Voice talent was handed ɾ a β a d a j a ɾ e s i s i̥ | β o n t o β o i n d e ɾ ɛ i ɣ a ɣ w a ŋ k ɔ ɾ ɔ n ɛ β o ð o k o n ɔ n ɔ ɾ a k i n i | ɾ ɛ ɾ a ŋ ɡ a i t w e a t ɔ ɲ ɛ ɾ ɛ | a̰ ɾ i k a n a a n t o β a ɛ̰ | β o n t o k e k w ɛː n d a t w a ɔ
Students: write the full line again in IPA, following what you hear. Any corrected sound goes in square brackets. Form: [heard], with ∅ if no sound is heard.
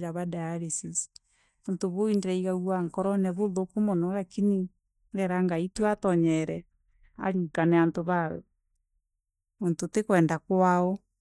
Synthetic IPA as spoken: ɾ a β a d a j a ɾ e s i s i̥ | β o n t o β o i n d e ɾ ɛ i ɣ a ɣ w a ŋ k ɔ ɾ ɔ n ɛ β o ð o k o [m] ɔ n ɔ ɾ a k i n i | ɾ ɛ ɾ a ŋ ɡ a i t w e a t ɔ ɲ ɛ ɾ ɛ | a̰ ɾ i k a n [ɛ] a n t o β a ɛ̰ | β o n t o [t] e k w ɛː n d a [k] w a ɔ